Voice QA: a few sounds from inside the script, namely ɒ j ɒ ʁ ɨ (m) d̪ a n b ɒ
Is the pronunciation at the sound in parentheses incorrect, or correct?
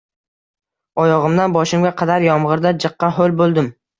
correct